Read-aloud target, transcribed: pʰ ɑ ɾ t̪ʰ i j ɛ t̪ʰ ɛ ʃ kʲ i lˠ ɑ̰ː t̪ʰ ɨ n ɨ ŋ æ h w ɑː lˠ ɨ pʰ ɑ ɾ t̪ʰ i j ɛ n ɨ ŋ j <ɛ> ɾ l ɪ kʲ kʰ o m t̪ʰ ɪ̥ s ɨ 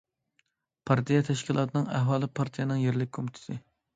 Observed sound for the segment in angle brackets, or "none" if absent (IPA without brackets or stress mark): e